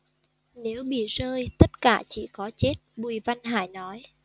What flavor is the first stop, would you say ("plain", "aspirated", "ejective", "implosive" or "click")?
implosive